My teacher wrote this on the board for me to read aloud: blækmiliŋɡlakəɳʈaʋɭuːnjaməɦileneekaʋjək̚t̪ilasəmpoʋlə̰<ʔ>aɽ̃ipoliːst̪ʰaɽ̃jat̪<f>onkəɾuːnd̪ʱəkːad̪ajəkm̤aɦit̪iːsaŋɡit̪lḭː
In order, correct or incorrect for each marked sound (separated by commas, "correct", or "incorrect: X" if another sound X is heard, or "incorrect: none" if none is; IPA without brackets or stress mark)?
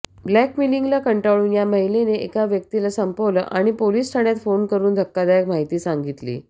correct, correct